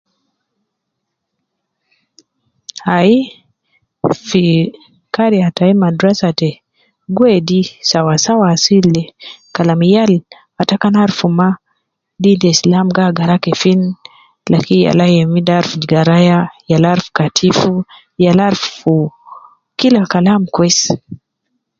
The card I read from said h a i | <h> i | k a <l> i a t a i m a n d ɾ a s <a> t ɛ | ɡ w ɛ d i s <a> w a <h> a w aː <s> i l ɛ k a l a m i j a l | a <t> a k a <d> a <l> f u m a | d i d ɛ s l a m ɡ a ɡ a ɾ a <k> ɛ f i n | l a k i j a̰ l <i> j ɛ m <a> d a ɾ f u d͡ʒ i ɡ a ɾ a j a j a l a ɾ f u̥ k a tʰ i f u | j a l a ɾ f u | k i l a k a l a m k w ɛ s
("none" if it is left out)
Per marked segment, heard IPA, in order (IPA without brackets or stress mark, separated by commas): f, ɾ, a, a, s, s, t, n, ɾ, k, a, i